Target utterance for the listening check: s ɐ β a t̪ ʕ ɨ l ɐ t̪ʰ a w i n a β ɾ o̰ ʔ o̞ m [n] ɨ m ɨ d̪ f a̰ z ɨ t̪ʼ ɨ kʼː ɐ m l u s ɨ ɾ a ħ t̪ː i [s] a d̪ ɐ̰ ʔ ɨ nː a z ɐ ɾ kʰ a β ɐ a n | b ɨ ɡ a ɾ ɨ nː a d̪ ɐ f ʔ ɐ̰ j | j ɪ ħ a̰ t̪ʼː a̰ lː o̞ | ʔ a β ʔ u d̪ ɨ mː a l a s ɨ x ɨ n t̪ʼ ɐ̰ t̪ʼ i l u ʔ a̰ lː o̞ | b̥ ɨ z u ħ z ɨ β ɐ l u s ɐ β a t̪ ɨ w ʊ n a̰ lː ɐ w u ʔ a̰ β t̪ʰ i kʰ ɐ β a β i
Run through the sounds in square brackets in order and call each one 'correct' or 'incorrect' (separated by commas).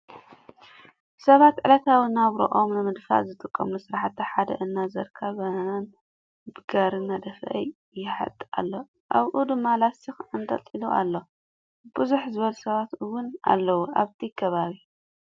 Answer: correct, incorrect